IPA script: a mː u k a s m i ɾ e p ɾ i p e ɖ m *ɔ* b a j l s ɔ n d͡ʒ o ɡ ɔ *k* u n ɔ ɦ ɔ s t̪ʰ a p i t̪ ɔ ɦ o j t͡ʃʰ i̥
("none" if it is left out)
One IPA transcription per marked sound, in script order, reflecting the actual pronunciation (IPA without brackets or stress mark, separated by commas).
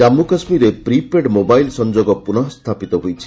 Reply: o, p